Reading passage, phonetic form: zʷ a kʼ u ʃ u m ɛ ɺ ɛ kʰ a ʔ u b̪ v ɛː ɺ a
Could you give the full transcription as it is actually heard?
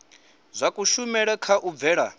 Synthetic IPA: zʷ a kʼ u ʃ u m ɛ ɺ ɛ kʰ a ʔ u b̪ v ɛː ɺ a